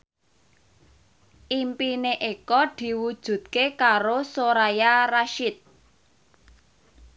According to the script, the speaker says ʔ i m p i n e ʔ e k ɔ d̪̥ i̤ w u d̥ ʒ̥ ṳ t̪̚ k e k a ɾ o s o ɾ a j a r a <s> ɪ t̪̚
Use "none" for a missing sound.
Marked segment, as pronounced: ʃ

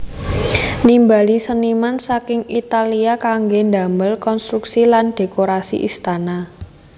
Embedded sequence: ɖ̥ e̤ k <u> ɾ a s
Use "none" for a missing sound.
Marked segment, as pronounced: o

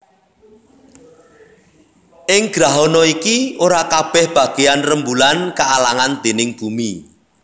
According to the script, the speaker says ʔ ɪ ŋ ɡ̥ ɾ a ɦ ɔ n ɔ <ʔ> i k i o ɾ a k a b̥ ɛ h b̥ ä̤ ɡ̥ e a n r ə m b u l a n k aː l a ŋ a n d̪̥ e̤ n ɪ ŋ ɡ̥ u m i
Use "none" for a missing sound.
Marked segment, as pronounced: none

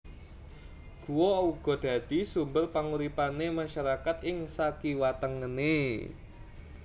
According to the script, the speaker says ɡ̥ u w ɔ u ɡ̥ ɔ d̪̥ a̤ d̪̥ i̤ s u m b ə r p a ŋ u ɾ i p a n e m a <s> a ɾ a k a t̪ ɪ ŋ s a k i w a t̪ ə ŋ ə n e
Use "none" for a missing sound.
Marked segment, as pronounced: ʃ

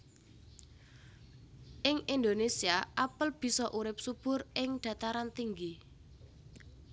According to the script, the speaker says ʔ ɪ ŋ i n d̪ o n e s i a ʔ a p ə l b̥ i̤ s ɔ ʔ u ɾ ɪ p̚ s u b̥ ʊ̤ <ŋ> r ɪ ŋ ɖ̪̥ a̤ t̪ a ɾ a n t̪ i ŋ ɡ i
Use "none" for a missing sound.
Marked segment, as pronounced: none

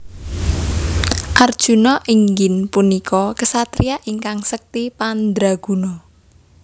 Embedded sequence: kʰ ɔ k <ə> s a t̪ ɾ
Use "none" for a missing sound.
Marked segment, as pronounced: ə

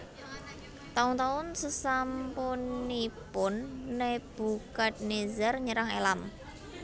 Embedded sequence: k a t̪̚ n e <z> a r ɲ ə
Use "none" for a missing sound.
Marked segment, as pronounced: z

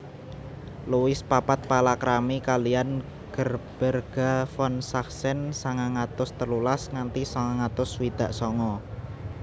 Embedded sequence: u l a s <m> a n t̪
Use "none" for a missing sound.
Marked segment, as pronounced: ŋ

